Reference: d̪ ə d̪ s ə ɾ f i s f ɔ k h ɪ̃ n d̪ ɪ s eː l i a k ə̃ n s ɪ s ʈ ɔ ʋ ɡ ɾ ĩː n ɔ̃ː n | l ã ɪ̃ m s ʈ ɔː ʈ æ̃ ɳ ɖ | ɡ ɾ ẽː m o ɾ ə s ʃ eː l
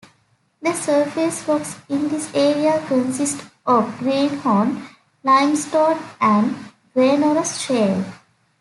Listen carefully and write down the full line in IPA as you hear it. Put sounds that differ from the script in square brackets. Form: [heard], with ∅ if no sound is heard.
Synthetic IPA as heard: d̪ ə [∅] s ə ɾ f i s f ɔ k [s] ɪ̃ n d̪ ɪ s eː [ɾ] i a k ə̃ n s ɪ s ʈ ɔ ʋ ɡ ɾ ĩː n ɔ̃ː n | l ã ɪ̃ m s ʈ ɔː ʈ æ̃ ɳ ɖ | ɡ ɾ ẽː [n] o ɾ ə s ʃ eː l